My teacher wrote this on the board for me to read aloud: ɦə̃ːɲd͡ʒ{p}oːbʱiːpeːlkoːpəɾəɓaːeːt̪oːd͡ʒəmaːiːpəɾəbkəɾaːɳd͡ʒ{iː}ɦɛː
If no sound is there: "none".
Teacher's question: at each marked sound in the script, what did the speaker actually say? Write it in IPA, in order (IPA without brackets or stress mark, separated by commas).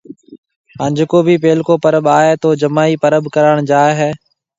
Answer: k, aː